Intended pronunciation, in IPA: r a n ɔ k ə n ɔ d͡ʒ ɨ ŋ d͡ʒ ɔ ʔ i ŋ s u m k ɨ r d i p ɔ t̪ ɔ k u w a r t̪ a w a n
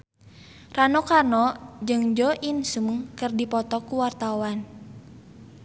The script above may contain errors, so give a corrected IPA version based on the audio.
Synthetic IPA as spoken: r a n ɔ k a n ɔ d͡ʒ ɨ ŋ d͡ʒ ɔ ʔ i n s u m k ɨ r d i p ɔ t̪ ɔ k u w a r t̪ a w a n